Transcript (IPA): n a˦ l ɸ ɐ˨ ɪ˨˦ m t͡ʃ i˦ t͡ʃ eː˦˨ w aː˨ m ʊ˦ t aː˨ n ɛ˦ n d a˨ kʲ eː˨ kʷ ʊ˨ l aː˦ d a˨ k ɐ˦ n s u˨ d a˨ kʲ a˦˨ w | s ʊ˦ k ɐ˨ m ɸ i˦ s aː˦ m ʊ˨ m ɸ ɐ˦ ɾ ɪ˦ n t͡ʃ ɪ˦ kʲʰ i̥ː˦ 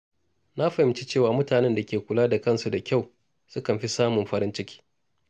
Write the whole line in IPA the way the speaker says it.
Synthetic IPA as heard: n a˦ ɸ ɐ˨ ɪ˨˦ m t͡ʃ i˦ t͡ʃ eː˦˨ w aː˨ m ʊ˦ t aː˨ n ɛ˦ n d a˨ kʲ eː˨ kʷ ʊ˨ l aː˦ d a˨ k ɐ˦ n s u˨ d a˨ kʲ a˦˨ w | s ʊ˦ k ɐ˨ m ɸ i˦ s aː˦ m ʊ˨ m ɸ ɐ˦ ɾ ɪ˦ n t͡ʃ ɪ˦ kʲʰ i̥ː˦